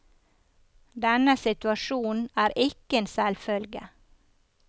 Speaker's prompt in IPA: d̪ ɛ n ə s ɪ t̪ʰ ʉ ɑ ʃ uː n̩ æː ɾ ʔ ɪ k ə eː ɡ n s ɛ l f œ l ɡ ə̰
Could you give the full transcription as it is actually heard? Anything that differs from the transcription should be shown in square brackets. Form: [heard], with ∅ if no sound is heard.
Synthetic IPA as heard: d̪ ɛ n ə s ɪ [t̪] ʉ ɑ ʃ uː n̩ æː ɾ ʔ ɪ k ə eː [∅] n s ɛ l f œ l ɡ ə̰